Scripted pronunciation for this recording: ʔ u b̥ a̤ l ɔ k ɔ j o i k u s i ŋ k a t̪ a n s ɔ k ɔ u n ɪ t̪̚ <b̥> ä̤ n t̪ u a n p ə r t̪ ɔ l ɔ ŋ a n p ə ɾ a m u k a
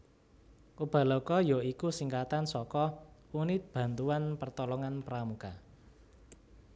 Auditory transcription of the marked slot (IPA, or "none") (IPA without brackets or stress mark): b̥